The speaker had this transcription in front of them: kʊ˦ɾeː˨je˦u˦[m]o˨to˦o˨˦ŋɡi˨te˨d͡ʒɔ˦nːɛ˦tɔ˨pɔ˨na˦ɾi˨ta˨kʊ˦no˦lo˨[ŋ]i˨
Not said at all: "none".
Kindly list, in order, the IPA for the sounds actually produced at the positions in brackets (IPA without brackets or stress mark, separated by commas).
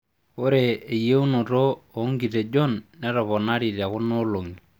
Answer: n, ŋ